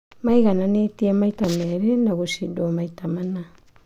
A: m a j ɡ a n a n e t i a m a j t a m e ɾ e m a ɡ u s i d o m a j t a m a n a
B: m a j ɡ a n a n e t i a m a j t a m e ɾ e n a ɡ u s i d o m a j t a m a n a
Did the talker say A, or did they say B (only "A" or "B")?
B